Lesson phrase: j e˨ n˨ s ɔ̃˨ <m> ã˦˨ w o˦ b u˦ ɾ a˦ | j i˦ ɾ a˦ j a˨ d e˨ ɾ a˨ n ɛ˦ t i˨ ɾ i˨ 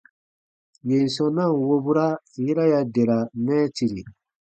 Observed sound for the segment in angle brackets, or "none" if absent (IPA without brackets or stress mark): n